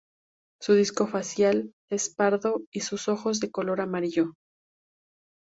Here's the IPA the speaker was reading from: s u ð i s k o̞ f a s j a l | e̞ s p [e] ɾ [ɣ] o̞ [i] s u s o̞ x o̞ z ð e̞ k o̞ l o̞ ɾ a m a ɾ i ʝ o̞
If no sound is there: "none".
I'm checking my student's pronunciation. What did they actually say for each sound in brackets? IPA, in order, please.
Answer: a, ð, i

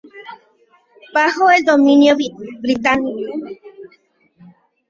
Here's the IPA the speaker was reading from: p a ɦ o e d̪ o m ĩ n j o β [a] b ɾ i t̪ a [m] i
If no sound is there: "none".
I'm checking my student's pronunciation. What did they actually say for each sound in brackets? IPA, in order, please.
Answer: i, n

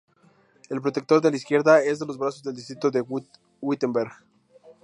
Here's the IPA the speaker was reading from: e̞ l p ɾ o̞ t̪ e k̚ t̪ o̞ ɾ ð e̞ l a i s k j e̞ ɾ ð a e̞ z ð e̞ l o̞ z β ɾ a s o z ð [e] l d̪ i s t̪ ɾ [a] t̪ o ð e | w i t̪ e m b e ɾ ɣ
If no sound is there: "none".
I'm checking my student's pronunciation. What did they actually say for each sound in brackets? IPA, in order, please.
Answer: e, i

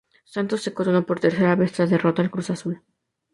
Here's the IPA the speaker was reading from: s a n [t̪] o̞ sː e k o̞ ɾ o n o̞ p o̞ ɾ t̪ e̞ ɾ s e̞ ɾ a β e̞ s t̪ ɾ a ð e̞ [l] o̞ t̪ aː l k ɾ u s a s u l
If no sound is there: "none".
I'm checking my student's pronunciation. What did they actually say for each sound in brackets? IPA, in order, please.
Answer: t̪, r

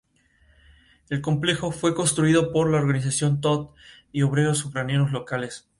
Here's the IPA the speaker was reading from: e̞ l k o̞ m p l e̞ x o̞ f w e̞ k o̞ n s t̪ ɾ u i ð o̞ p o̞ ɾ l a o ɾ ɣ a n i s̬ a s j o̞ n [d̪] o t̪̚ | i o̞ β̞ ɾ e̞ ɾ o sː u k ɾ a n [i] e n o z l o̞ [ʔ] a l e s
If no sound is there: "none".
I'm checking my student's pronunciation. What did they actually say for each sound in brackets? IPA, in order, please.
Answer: t̪, j, k

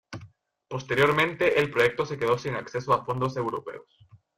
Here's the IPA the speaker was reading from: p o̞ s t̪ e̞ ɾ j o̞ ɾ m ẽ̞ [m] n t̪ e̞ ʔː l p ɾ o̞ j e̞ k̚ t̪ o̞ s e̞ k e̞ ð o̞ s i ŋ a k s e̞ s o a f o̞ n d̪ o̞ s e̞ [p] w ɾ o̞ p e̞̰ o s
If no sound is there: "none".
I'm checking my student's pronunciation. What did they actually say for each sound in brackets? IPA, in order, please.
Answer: none, none

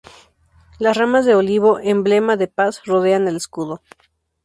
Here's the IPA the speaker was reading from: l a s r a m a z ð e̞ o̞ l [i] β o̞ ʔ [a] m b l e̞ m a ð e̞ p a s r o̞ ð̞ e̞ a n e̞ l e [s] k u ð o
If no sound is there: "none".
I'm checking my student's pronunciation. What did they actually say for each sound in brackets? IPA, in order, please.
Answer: i, e, s

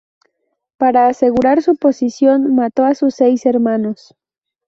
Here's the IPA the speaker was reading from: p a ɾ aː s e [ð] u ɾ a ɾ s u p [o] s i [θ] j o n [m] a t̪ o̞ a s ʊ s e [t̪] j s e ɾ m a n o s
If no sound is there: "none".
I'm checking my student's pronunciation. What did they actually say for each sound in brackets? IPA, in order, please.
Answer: ɣ, o, s, m, none

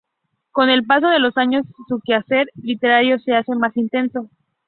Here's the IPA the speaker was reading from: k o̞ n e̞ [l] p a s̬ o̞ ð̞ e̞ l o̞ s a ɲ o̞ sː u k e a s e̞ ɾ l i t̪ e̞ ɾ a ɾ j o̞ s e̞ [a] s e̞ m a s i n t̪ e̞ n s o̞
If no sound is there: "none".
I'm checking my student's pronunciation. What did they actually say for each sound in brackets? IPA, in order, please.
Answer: l, a

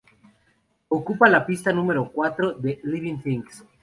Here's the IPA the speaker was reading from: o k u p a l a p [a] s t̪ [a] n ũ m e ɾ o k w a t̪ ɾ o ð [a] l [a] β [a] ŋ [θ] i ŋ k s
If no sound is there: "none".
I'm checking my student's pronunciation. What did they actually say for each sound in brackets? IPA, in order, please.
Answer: i, a, e, i, i, θ

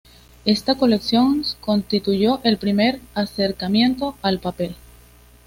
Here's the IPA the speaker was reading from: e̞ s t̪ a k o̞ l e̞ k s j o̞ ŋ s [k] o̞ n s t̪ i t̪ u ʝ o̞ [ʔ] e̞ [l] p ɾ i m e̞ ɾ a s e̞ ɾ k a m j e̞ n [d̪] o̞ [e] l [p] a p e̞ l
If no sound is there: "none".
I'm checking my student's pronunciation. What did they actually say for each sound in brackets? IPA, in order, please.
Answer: k, ʔ, l, t̪, a, p

